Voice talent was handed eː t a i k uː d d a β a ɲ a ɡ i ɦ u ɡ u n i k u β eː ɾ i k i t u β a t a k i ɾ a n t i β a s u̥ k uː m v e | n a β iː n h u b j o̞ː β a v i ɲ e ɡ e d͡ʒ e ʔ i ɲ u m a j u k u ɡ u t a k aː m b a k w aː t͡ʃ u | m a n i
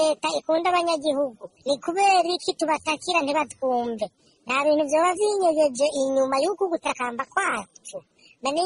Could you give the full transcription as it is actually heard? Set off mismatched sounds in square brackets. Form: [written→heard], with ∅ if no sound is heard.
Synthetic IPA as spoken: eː t a i k uː [d→n] d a β a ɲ a ɡ i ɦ u ɡ u n i k u β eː ɾ i k i t u β a t a k i ɾ a n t i β a [s→t] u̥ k uː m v e | n a β iː n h u [b→v] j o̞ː β a v i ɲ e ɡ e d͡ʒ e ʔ i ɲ u m a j u k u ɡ u t a k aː m b a k w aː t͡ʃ u | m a n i